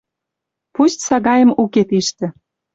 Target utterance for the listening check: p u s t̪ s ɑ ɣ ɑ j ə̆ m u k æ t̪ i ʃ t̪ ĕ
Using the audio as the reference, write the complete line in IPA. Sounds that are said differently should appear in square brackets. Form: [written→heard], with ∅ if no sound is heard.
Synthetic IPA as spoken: p u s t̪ s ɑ ɣ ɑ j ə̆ m u k [æ→e] t̪ i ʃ t̪ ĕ